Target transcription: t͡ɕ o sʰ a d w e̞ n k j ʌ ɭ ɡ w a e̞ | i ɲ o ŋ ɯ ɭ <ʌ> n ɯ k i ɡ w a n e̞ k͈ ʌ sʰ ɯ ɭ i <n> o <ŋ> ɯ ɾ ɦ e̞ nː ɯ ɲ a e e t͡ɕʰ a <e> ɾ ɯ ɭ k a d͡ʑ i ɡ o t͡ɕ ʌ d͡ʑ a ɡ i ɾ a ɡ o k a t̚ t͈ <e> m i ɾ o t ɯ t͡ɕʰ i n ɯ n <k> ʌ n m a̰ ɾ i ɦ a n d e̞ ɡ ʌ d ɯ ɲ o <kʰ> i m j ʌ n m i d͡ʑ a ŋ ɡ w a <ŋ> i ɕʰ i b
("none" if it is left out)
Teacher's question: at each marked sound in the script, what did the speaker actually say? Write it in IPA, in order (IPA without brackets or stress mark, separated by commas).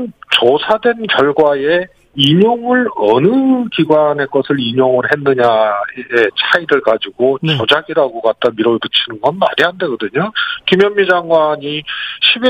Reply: ʌ, ɲ, ŋ, i, a, ɡ, k, ɲ